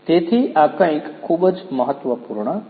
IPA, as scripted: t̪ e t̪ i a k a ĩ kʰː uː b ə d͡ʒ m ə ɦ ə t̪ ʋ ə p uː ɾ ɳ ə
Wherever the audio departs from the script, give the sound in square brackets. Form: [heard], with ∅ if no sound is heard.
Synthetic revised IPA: t̪ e [t̪ʰ] i a k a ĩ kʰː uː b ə d͡ʒ m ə ɦ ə t̪ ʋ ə p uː ɾ ɳ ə